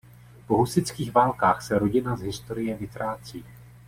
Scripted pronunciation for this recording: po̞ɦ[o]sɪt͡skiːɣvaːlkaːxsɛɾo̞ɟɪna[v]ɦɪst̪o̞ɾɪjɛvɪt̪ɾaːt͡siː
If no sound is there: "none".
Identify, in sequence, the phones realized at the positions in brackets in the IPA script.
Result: u, z

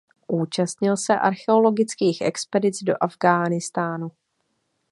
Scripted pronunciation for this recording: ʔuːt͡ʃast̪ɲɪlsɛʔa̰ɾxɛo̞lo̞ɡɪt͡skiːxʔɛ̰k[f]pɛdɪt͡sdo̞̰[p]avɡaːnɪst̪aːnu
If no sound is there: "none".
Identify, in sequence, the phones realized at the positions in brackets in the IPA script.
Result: s, ʔ

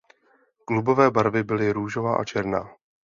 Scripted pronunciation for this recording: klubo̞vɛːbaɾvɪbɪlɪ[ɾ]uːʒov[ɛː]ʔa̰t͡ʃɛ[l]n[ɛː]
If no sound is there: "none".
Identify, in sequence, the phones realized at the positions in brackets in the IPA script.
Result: ɾ, aː, ɾ, aː

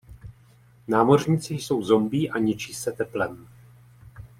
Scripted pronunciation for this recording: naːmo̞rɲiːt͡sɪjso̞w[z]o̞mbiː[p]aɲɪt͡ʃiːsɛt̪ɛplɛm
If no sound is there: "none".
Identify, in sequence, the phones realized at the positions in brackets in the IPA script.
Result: z, ʔ

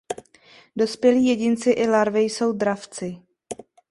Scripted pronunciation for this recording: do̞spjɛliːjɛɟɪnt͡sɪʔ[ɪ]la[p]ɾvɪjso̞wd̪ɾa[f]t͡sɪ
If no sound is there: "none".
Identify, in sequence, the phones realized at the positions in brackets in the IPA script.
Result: ɪ, none, f

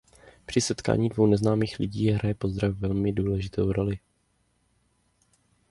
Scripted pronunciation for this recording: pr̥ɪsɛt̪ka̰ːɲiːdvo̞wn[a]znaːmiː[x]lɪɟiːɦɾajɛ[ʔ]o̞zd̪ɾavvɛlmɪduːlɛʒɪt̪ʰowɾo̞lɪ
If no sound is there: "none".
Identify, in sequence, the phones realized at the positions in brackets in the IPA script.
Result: ɛ, x, p

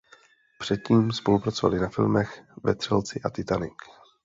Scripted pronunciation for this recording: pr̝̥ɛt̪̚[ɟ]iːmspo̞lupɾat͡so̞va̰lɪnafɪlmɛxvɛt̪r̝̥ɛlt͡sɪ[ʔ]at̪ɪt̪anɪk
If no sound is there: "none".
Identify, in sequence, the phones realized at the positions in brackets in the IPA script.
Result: c, ʔ

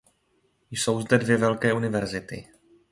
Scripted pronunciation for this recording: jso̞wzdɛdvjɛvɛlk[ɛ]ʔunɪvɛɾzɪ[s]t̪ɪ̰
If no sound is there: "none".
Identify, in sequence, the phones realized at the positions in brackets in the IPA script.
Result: ɛː, none

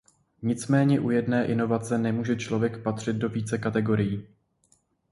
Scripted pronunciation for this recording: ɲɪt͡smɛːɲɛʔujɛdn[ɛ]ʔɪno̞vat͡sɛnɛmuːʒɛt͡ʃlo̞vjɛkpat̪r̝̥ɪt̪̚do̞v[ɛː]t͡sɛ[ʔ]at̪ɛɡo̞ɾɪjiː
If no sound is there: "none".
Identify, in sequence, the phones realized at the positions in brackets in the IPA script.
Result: ɛː, iː, k

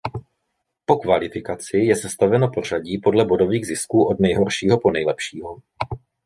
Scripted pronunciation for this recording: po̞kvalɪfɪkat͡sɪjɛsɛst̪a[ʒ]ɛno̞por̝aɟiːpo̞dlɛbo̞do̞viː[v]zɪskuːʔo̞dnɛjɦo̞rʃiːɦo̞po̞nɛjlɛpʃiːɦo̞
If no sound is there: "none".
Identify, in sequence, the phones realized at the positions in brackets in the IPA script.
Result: v, ɣ

